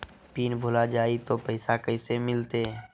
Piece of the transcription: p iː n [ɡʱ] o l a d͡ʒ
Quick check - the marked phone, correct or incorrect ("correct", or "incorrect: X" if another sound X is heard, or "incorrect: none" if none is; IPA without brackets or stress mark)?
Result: incorrect: bʱ